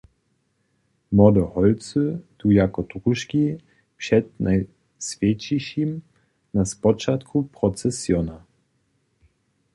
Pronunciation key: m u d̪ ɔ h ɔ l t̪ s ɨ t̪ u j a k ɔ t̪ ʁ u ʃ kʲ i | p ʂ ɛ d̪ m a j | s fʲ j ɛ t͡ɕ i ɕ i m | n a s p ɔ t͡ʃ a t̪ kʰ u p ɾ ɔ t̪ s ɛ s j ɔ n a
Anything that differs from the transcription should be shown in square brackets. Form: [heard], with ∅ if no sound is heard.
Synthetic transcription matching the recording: m [ɔ] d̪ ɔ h ɔ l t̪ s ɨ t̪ u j a k ɔ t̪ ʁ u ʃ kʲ i | p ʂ ɛ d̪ [n] a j | s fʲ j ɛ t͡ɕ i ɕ i m | n a s p ɔ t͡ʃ a t̪ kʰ u p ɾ ɔ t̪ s ɛ s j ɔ n a